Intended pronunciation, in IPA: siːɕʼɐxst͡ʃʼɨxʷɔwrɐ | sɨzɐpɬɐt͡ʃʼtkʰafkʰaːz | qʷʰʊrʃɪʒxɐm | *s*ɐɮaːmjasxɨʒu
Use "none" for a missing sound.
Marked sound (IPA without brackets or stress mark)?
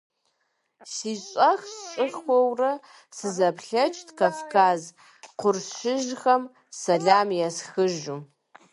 s